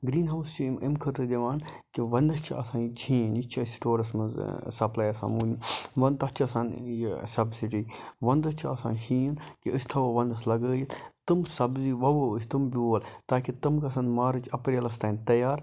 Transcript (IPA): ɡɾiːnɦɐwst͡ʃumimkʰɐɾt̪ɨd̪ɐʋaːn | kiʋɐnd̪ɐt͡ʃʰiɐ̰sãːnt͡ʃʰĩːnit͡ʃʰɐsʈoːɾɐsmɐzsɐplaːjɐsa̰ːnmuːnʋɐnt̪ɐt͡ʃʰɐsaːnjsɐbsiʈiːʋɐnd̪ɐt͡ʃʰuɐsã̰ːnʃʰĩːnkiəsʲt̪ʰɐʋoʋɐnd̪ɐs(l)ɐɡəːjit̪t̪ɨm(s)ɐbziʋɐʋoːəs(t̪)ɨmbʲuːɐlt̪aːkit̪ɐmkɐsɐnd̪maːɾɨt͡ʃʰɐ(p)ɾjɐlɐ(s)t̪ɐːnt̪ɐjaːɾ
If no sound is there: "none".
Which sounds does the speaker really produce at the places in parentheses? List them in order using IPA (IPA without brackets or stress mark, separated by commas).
l, s, t̪, p, s